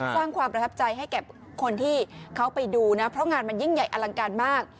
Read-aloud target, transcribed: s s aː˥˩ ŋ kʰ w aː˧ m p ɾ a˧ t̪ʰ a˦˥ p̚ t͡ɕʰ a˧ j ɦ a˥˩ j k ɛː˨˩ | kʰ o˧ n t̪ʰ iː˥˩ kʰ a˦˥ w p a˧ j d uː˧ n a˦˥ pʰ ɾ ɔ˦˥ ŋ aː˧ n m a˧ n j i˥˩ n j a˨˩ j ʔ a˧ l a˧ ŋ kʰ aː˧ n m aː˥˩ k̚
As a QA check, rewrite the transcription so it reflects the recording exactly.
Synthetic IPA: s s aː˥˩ ŋ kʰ w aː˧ m p ɾ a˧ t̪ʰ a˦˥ p̚ t͡ɕ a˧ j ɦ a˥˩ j k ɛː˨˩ | kʰ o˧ n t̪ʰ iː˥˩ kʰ a˦˥ w p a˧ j d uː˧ n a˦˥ pʰ ɾ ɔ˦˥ ŋ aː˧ n m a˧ n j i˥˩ ŋ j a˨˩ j ʔ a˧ l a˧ ŋ k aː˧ n m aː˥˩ k̚